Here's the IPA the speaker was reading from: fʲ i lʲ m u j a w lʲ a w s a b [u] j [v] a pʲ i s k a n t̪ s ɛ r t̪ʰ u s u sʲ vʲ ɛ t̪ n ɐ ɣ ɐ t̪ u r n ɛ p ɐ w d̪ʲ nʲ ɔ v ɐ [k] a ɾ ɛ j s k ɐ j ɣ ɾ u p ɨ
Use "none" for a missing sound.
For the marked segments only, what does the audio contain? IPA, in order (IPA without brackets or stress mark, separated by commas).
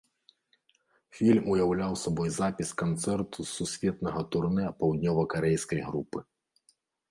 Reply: ɔ, z, k